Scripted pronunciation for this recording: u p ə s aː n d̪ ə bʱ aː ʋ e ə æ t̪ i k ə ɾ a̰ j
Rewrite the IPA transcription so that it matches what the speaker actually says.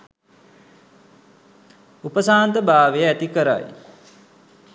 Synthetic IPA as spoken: u p ə s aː n t̪ ə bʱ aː ʋ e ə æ t̪ i k ə ɾ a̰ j

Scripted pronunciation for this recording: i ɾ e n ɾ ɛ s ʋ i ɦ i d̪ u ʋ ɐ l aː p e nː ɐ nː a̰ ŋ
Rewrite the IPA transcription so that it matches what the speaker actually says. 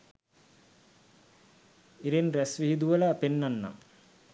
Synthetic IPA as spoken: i ɾ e n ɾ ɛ s ʋ i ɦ i d̪ u ʋ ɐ l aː p e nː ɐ nː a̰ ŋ

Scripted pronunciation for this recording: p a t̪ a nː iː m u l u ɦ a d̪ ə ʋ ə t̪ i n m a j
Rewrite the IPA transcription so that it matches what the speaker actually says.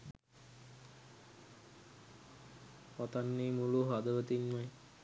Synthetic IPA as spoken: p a t̪ a nː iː m u l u ɦ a d̪ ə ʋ ə t̪ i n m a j

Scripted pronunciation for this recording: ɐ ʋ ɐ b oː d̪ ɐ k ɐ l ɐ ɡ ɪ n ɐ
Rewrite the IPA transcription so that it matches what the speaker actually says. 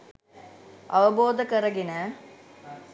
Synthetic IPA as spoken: ɐ ʋ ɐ b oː d̪ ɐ k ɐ ɾ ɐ ɡ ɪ n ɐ

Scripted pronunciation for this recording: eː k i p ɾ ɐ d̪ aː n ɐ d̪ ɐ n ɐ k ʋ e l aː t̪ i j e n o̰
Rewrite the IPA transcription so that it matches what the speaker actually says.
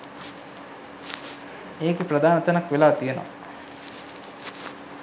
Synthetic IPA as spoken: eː k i p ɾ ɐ d̪ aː n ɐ t̪ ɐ n ɐ k ʋ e l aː t̪ i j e n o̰

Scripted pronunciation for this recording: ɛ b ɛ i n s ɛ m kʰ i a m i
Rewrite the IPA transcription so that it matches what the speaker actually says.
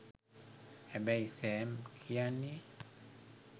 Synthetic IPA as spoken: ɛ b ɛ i s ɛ m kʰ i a n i

